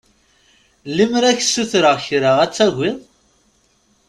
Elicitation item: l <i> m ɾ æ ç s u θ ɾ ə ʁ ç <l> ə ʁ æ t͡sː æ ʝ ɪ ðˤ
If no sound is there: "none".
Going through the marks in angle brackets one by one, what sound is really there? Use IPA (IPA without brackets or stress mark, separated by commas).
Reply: i, ɾ